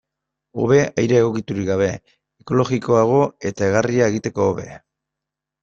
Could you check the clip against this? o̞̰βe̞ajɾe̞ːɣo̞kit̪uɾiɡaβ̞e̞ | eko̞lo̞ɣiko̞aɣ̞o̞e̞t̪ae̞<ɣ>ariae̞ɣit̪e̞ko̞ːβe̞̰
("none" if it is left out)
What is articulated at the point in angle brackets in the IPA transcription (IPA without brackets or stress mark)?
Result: ɣ